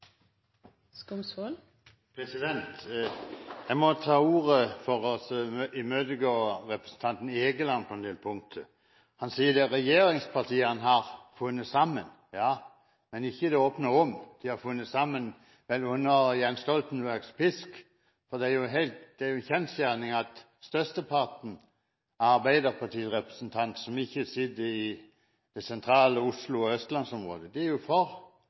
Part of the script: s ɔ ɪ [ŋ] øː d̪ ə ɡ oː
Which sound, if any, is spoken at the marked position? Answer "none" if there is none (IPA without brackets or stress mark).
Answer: m